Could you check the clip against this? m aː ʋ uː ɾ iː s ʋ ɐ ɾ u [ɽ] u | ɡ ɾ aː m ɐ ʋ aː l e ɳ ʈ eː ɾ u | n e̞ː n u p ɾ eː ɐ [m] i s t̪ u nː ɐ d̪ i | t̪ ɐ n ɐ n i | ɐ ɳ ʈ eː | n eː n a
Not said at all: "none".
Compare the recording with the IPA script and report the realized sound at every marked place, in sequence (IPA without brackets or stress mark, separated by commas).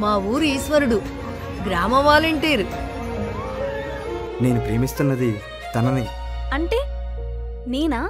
ɽ, m